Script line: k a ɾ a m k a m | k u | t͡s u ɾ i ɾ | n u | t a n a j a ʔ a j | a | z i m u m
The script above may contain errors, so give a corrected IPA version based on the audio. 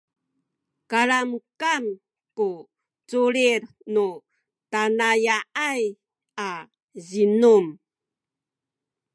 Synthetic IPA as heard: k a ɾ a m k a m | k u | t͡s u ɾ i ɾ | n u | t a n a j a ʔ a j | a | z i n u m